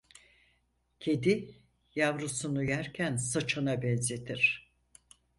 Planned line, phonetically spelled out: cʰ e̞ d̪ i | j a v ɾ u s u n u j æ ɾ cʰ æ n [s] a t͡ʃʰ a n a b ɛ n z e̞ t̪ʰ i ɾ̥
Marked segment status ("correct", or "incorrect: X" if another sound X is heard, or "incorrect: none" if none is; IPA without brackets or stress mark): correct